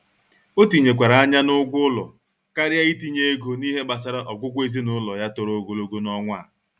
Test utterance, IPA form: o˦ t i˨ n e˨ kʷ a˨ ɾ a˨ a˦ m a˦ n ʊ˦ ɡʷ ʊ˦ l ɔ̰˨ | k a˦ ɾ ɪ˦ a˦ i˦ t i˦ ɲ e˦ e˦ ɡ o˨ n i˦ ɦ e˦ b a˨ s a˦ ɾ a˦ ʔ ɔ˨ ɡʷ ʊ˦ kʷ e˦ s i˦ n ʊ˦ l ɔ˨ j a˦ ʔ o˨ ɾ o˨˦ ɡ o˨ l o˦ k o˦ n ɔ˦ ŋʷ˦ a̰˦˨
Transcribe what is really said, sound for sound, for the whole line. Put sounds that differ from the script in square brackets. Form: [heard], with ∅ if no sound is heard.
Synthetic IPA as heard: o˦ t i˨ [ɲ] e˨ kʷ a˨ ɾ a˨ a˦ [ɲ] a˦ n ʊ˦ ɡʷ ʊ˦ l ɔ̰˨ | k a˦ ɾ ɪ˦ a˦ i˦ t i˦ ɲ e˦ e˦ ɡ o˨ n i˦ ɦ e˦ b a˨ s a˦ ɾ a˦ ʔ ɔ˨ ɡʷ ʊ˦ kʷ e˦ [z] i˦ n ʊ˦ l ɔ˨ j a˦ [t] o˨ ɾ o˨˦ ɡ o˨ l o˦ [ɡ] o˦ n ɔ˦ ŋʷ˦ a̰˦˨